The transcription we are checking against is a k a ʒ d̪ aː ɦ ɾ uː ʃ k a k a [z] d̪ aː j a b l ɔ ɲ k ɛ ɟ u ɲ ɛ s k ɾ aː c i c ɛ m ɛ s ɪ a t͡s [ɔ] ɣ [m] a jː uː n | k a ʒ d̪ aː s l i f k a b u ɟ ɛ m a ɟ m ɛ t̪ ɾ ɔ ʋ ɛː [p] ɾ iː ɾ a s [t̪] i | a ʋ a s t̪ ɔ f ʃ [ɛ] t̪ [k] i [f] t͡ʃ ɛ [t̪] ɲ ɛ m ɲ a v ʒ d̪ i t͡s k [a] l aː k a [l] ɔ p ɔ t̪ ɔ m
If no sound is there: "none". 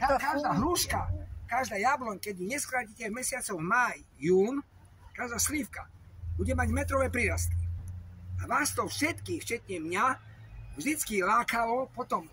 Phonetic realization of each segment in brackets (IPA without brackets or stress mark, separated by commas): ʒ, ɔ, m, p, t̪, ɛ, k, f, t̪, i, l